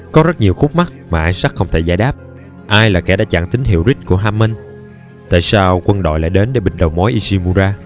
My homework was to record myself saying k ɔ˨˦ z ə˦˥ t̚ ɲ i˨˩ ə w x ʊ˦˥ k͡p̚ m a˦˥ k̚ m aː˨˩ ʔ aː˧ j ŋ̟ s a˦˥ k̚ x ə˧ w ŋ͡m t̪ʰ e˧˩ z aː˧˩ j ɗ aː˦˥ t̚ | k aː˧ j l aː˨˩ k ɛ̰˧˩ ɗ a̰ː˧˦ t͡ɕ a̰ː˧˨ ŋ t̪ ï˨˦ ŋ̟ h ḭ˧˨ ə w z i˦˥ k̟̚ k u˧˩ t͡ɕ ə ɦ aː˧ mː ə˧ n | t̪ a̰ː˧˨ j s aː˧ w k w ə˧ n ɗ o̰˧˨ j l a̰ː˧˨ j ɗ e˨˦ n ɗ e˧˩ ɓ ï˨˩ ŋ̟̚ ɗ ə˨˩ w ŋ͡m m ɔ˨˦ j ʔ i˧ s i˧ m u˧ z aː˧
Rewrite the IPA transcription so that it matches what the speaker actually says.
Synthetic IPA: k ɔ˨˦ z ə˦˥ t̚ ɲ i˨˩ ə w x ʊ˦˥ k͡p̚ m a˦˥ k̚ m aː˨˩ ʔ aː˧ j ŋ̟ s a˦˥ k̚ x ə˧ w ŋ͡m t̪ʰ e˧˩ z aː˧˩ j ɗ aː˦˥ p̚ | ʔ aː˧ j l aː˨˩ k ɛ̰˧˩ ɗ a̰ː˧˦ t͡ɕ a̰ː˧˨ ŋ t̪ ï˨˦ ŋ̟ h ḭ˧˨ ə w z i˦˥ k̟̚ k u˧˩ ə ɦ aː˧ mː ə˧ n | t̪ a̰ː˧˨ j s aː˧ w k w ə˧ n ɗ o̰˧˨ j l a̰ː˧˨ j ɗ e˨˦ n ɗ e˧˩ ɓ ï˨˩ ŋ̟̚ ɗ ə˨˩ w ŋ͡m m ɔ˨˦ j ʔ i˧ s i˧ m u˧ z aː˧